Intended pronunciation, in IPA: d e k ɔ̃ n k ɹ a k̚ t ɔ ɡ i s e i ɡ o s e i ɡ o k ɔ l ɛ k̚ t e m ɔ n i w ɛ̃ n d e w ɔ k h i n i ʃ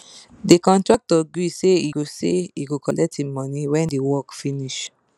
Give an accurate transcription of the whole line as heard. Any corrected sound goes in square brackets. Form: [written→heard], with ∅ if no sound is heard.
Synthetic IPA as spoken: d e k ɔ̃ n [k→t] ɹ a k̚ t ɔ ɡ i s e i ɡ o s e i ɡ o k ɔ l ɛ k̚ t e m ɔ n i w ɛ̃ n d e w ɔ k [h→f] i n i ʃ

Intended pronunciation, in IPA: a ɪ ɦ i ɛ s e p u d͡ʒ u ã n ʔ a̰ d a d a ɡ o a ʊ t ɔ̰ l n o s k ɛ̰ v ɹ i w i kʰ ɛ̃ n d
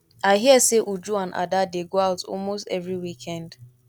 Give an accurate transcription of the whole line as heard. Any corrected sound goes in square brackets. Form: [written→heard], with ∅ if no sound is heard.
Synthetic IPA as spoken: a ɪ ɦ i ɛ s e [p→ʔ] u d͡ʒ u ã n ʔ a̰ d a d [a→e] ɡ o a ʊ t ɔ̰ l [n→m] o s [k→t] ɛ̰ v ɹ i w i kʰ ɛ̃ n d

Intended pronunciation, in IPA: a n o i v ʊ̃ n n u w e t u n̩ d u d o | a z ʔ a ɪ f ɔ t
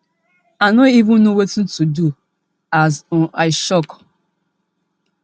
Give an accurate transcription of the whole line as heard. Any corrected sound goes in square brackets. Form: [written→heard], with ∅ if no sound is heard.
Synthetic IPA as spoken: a n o i v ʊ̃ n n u w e t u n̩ [d→t] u d [o→u] | a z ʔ a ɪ [f→ʃ] ɔ [t→k]

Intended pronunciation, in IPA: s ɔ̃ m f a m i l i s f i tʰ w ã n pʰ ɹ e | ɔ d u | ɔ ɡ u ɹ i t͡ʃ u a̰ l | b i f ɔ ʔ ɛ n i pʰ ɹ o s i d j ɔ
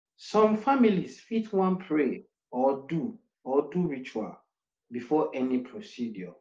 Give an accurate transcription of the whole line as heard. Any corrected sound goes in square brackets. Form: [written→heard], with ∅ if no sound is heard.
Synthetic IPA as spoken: s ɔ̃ m f a m i l i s f i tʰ w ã n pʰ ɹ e | ɔ d u | ɔ [ɡ→d] u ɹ i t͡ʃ u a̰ l | b i f ɔ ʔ ɛ n i pʰ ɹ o s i d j ɔ

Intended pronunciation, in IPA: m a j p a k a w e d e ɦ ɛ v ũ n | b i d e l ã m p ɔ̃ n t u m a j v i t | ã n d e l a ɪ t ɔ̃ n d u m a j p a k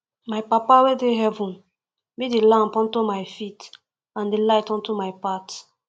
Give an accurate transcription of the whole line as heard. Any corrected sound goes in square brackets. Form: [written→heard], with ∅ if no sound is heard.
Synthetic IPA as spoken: m a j p a [k→p] a w e d e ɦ ɛ v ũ n | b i d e l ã m p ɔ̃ n t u m a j [v→f] i t | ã n d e l a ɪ t ɔ̃ n [d→t] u m a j p a [k→t]

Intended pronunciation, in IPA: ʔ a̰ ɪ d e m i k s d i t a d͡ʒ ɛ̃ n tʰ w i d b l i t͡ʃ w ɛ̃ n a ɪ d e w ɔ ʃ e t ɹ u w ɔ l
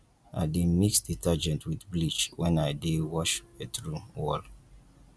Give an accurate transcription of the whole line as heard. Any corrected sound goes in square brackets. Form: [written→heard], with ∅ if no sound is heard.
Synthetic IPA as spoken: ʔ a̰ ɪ d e m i k s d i t a d͡ʒ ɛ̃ n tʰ w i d b l i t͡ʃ w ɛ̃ n a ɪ d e w ɔ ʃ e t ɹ u w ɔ l

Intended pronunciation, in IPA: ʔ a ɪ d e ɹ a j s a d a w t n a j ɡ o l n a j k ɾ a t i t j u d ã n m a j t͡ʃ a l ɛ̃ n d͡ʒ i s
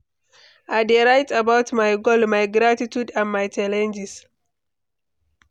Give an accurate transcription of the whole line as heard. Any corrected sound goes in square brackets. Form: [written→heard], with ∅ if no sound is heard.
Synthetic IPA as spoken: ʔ a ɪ d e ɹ a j [s→t] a [d→b] a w t [n→m] a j ɡ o l [n→m] a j [k→ɡ] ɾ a t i t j u d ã n m a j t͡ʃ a l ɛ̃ n d͡ʒ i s

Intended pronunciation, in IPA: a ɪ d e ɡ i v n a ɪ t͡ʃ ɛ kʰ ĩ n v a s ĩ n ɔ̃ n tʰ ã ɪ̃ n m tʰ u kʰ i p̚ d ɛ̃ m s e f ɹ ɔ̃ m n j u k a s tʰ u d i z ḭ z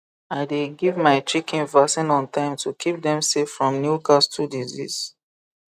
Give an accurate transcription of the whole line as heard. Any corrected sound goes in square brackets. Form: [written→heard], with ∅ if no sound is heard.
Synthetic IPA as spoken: a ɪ d e ɡ i v [n→m] a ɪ t͡ʃ [ɛ→i] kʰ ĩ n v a s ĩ n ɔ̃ n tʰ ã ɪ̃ [n→∅] m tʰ u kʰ i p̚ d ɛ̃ m s e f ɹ ɔ̃ m n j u k a s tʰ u d i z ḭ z

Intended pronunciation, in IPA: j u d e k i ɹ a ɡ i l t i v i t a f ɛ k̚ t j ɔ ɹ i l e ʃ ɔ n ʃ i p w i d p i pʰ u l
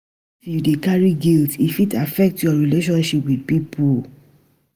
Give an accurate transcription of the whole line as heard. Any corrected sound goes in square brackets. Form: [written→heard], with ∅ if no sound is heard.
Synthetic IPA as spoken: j u d e k [i→a] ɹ [a→i] ɡ i l t i [v→f] i t a f ɛ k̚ t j ɔ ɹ i l e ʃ [ɔ→ɔ̃] n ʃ i p w i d p i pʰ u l

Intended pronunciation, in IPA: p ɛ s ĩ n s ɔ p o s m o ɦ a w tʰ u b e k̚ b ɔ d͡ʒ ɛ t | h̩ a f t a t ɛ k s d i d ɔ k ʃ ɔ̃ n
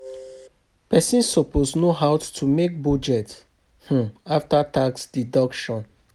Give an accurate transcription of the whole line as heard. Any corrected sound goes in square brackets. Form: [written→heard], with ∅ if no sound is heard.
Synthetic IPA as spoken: p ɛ s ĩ n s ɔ p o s [m→n] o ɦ a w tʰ u [b→m] e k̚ b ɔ d͡ʒ ɛ t | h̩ a f t a t [ɛ→a] k s d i d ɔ k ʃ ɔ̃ n

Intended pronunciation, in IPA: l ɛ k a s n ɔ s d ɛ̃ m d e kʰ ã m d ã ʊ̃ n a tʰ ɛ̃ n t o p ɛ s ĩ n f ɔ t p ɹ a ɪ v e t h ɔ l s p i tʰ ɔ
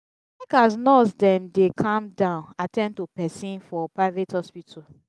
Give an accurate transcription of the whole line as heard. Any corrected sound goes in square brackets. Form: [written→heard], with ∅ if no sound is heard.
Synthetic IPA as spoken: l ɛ k a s n ɔ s d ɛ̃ m d e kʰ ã m d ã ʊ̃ n a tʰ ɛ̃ n t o p ɛ s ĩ n f ɔ [t→∅] p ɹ a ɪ v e t h ɔ [l→∅] s p i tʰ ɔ

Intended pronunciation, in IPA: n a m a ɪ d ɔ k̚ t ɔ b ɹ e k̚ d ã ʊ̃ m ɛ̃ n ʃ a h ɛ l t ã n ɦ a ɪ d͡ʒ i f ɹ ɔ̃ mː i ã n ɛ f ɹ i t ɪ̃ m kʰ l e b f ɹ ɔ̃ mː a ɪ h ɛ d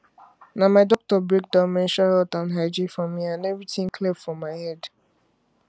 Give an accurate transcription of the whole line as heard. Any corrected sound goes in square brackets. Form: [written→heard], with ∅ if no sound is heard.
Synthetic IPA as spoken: n a m a ɪ d ɔ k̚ t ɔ b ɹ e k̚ d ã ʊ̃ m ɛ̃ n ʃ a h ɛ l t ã n ɦ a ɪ d͡ʒ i f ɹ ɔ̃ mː i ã n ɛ [f→v] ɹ i t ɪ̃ [m→ŋ] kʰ l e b f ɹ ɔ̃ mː a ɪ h ɛ d

